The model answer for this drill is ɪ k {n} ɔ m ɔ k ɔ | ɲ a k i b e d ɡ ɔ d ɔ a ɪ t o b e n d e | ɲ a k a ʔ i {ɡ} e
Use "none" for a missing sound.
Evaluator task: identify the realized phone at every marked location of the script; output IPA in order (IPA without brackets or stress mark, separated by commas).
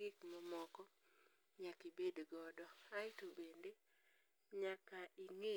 m, ŋ